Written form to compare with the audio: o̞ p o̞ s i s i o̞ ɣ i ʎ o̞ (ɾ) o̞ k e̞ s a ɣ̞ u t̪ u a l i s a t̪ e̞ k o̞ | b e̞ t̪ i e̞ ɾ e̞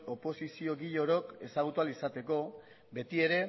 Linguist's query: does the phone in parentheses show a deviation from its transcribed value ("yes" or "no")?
no